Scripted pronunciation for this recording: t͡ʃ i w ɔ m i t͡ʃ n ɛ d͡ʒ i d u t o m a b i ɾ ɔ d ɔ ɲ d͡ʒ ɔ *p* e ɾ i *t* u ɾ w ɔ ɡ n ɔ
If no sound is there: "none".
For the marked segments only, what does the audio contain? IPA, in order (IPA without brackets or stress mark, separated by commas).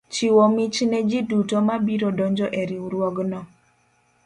ʔ, none